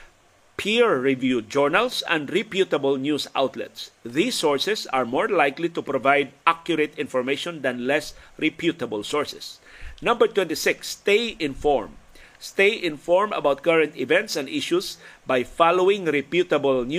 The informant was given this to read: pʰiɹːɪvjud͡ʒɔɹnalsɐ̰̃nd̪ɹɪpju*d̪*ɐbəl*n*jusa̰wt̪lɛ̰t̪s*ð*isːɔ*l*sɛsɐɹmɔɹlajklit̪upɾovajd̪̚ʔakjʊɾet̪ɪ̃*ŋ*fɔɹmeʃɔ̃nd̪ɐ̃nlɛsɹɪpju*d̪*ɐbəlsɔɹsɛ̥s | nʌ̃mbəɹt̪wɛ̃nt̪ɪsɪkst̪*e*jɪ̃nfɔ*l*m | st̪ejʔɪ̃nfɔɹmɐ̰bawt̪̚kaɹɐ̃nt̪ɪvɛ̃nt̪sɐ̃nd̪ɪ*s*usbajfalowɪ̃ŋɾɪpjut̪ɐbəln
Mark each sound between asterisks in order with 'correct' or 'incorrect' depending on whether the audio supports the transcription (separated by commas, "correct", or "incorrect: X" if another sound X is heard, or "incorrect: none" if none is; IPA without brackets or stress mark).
incorrect: t̪, correct, correct, incorrect: ɹ, incorrect: n, incorrect: t̪, correct, incorrect: ɹ, incorrect: ʃ